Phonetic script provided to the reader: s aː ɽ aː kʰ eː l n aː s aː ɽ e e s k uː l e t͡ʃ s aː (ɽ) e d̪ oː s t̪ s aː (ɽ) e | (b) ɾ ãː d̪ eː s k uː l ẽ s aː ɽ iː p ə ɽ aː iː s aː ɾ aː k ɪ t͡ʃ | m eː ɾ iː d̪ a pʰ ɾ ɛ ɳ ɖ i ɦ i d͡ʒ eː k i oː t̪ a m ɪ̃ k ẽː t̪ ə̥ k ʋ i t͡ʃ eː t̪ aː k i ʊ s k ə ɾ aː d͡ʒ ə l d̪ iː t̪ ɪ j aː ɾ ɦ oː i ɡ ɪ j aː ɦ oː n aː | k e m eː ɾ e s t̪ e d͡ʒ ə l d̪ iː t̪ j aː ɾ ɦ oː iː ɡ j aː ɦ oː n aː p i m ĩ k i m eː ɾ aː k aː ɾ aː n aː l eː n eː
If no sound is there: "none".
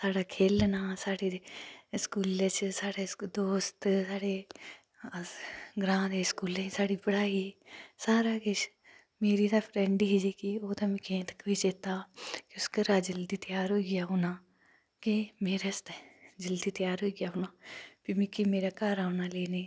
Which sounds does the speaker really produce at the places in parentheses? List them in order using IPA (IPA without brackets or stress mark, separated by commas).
ɽ, ɽ, ɡ